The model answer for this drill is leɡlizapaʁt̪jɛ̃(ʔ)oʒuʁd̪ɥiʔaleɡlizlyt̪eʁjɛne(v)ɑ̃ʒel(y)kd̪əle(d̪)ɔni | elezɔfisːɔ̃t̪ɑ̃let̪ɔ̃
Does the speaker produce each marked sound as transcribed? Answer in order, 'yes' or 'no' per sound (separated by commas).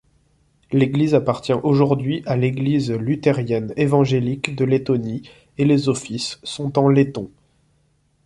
yes, yes, no, no